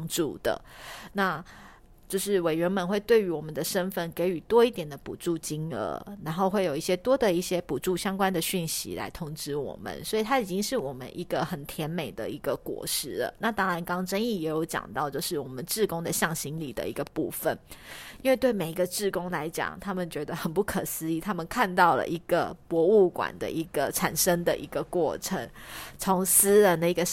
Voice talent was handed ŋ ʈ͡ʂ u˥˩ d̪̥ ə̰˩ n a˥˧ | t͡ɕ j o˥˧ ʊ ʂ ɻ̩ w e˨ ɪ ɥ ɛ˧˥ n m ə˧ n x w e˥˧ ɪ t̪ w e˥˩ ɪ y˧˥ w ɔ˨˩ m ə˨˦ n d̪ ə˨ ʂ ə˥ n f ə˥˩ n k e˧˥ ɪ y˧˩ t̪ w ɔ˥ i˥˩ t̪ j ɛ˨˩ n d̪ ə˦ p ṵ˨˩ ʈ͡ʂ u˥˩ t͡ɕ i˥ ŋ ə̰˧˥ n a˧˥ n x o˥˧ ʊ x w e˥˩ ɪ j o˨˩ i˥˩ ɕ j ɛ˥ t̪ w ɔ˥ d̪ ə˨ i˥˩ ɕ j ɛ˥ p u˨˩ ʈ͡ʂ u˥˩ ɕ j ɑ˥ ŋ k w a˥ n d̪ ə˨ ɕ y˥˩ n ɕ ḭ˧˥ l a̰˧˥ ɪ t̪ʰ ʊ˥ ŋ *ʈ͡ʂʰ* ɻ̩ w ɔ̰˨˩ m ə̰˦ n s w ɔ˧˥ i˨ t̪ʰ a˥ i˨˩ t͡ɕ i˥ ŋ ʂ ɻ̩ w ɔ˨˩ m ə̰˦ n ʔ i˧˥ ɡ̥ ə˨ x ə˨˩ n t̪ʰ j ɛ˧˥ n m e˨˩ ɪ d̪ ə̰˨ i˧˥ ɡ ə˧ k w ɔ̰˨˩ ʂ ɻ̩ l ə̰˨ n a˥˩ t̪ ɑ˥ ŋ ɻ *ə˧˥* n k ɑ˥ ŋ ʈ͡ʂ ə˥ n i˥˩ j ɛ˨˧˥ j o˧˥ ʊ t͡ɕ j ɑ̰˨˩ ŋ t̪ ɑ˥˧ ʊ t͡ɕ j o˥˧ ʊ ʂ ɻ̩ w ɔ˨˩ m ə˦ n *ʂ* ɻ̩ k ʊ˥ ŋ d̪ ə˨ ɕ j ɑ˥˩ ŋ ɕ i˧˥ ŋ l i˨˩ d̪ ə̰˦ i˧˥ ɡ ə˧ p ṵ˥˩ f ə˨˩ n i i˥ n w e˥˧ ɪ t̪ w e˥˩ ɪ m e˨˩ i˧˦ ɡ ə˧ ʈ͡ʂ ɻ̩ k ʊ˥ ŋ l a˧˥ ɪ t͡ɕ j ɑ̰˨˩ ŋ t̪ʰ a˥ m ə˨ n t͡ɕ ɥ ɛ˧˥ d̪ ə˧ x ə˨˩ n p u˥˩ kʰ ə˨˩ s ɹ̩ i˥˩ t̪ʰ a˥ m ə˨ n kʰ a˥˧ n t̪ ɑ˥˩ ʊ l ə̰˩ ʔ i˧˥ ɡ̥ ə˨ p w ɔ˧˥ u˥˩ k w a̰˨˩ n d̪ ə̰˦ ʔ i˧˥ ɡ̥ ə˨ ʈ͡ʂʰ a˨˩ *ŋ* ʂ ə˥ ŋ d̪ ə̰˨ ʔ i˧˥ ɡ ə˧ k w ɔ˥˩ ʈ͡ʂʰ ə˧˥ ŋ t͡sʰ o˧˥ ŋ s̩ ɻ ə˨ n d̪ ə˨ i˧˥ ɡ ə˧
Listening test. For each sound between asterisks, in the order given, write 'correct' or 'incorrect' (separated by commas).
incorrect, incorrect, incorrect, incorrect